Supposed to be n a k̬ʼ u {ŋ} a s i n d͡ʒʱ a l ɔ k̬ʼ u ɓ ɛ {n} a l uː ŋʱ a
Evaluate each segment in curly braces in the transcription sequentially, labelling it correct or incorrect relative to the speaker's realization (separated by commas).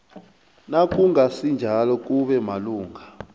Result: correct, incorrect